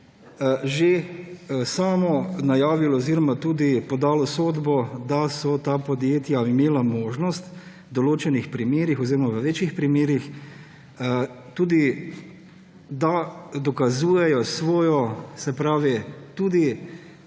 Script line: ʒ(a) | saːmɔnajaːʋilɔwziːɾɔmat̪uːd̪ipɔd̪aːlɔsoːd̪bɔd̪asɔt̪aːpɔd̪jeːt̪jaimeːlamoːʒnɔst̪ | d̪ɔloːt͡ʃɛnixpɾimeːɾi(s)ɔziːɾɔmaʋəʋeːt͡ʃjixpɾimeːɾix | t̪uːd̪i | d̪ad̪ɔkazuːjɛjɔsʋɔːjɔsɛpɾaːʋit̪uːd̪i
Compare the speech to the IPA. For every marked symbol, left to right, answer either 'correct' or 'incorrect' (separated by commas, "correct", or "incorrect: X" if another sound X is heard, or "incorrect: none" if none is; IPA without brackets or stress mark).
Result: incorrect: e, incorrect: x